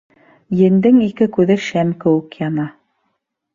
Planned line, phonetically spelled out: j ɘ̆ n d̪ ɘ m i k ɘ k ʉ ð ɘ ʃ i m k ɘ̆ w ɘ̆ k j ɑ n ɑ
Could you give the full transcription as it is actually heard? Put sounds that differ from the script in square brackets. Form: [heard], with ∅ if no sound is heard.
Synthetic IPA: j ɘ̆ n d̪ ɘ [ŋ] i k ɘ k ʉ ð ɘ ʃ [æ] m k ɘ̆ w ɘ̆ k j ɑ n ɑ